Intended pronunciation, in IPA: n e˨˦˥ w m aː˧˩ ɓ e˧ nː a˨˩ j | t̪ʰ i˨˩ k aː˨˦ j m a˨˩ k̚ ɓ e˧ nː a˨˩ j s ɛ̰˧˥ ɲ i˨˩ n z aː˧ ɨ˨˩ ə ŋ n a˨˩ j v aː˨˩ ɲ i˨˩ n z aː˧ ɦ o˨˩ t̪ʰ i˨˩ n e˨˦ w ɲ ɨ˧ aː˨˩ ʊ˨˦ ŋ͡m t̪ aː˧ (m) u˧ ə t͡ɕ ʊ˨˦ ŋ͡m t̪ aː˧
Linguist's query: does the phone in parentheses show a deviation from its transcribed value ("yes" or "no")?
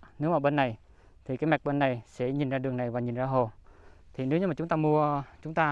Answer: no